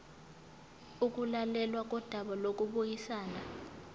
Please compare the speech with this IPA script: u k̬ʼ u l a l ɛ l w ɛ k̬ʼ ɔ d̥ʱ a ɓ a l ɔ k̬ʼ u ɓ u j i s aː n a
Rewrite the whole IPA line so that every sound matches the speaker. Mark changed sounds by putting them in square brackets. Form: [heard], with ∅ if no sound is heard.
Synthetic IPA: u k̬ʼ u l a l ɛ l w [a] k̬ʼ ɔ d̥ʱ a ɓ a l [o] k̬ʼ u ɓ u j i s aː n a